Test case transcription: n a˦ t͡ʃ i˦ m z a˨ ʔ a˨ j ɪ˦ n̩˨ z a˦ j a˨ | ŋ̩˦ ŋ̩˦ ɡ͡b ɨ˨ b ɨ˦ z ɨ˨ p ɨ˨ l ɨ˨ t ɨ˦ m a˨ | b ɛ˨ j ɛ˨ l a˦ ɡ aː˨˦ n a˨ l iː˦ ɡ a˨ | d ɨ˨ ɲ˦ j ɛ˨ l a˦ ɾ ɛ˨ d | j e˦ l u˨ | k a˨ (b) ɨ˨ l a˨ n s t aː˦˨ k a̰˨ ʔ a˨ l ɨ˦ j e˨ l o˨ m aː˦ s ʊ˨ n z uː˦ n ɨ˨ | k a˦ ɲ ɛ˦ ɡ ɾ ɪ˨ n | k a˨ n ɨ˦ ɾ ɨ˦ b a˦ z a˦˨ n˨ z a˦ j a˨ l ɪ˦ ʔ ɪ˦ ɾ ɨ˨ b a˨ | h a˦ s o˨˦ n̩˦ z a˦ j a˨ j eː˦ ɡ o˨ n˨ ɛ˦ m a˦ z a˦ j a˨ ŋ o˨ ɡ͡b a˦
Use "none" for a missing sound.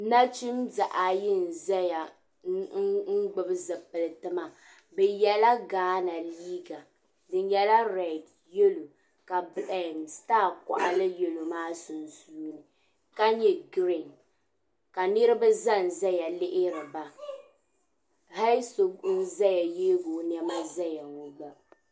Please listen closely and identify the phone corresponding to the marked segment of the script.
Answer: b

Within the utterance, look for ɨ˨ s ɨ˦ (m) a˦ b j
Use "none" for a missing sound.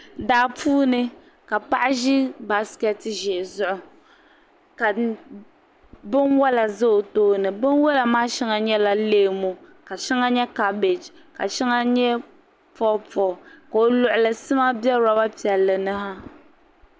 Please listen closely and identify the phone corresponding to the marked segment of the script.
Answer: m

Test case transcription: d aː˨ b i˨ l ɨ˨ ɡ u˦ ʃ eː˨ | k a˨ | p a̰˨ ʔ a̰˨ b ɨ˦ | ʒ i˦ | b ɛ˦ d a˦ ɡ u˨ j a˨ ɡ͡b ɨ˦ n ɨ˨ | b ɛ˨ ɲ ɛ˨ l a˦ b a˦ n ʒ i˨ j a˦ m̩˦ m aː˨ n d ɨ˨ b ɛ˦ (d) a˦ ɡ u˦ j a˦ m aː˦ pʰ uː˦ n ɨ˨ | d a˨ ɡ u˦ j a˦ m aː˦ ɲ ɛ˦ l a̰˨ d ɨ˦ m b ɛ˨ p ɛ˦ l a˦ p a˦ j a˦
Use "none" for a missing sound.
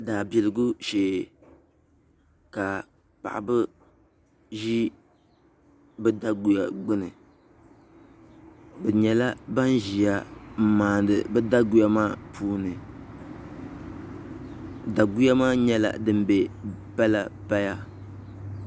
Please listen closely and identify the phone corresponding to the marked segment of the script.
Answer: d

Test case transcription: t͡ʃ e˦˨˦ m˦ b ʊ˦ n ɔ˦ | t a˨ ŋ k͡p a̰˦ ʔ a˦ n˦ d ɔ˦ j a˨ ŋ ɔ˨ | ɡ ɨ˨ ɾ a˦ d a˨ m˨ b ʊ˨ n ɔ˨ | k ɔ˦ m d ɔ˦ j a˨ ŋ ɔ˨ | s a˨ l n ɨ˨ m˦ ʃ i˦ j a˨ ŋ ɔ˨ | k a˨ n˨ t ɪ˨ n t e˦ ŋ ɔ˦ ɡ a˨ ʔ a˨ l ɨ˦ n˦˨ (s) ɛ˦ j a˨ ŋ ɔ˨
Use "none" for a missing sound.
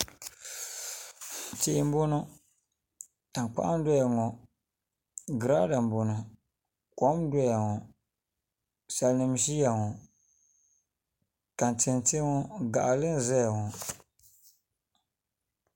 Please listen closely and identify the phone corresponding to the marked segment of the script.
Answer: z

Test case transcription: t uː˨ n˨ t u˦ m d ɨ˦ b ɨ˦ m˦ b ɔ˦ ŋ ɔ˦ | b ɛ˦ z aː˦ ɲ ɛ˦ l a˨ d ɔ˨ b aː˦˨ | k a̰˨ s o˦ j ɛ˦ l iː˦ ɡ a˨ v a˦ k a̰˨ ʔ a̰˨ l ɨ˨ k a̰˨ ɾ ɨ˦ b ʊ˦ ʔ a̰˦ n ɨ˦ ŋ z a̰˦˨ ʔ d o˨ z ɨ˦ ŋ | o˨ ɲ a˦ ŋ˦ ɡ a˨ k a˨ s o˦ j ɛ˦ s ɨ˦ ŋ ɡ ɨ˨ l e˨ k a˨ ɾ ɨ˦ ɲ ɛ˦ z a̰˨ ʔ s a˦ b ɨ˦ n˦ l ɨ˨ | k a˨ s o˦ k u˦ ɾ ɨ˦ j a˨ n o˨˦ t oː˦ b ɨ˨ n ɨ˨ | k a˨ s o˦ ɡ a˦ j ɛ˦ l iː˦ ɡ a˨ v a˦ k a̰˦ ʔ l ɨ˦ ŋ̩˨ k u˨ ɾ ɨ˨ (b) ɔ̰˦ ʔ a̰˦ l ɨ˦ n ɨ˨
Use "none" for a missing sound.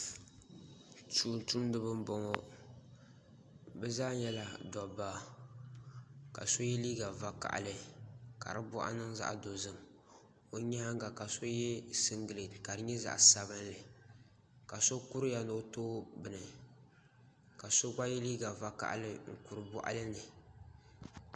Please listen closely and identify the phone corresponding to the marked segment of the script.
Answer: b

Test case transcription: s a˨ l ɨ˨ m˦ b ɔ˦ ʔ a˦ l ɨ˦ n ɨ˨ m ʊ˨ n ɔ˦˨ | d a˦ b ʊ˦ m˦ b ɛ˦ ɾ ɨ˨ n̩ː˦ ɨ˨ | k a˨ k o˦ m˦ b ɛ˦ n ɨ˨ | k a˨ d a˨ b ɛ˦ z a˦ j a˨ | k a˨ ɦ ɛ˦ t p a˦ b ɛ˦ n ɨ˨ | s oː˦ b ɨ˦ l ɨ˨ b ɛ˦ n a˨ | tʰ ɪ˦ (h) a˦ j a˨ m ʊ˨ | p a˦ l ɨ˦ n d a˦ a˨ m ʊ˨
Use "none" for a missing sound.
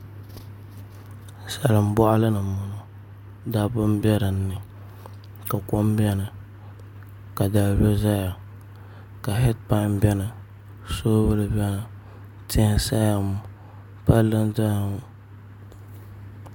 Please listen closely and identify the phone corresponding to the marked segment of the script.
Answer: s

